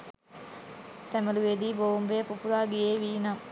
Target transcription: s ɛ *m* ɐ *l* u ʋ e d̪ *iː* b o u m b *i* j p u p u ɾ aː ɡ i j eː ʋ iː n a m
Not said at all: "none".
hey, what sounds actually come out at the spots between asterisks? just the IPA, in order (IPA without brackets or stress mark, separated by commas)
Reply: m, l, iː, e